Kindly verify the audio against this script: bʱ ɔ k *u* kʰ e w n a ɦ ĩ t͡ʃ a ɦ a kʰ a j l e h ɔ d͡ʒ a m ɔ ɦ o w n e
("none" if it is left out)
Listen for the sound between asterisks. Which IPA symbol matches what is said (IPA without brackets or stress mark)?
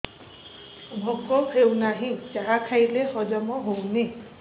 ɔ